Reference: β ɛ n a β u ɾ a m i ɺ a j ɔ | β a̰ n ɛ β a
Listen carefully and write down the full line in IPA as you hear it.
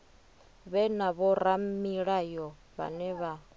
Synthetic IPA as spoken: β ɛ n a β ɔ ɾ a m i ɺ a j ɔ | β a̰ n ɛ β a

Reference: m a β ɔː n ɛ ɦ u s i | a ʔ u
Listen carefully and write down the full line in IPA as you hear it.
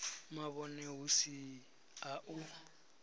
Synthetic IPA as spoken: m a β ɔ n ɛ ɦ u s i | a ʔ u

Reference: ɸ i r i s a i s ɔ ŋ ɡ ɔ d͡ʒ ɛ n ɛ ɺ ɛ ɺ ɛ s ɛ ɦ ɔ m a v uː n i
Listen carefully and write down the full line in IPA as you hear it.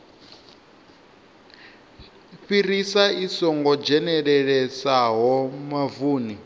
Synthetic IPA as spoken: ɸ i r i s a i s ɔ ŋ ɡ ɔ d͡ʒ ɛ n ɛ ɺ ɛ ɺ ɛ s a ɦ ɔ m a v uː n i

